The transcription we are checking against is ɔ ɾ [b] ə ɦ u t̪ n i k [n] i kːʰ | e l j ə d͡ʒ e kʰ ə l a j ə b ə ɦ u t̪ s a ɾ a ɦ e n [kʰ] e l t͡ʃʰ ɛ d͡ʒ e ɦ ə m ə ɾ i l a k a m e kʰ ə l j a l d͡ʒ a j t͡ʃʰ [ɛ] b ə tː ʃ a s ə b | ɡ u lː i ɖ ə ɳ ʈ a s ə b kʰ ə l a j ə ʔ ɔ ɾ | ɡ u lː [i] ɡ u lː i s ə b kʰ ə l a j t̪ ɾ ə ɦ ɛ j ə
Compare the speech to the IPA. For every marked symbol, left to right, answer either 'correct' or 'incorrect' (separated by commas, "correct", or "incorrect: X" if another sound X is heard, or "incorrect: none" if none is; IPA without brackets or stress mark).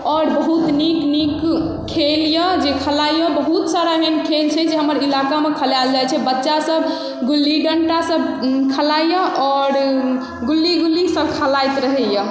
correct, correct, correct, correct, correct